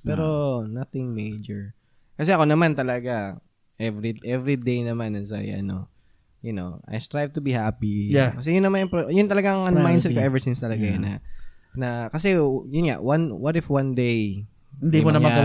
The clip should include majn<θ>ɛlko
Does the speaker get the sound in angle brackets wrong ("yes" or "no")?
yes